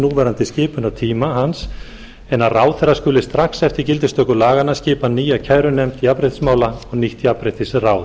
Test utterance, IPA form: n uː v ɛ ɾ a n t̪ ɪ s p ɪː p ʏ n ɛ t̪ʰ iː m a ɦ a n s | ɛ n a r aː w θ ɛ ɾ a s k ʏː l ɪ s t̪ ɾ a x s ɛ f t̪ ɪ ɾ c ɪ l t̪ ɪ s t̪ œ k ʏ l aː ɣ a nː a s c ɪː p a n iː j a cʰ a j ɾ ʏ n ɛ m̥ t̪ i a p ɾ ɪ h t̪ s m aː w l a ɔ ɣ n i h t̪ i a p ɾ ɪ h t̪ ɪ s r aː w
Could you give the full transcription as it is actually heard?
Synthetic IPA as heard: n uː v ɛ ɾ a n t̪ ɪ s c ɪː p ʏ n a t̪ʰ iː m a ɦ a n s | ɛ n a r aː w θ ɛ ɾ a s k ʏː l ɪ s t̪ ɾ a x s ɛ f t̪ ɪ ɾ c ɪ l t̪ ɪ s t̪ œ k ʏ l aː ɣ a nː a s c ɪː p a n iː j a cʰ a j ɾ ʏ n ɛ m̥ t̪ i a p ɾ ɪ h t̪ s m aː w l a ɔ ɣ n i h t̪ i a p ɾ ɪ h t̪ ɪ s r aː w